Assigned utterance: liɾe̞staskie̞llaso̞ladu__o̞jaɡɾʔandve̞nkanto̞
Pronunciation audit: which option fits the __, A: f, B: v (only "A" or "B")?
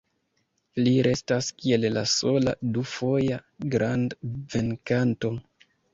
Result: A